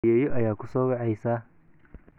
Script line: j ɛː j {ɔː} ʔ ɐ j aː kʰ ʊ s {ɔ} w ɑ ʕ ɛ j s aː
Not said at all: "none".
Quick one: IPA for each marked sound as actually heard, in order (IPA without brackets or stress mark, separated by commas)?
ɔ, ɔː